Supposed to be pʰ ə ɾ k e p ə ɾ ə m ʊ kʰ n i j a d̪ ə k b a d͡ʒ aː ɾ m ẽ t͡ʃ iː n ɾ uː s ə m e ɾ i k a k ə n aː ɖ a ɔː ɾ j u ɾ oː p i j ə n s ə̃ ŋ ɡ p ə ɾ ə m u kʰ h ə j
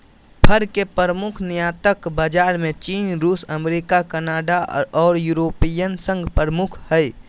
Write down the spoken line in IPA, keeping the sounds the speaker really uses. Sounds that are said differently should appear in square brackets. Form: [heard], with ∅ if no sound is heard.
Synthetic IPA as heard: pʰ ə ɾ k e p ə ɾ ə m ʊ kʰ n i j a [t̪] ə k b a d͡ʒ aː ɾ m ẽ t͡ʃ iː n ɾ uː s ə m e ɾ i k a k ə n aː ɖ a ɔː ɾ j u ɾ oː p i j ə n s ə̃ ŋ ɡ p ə ɾ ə m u kʰ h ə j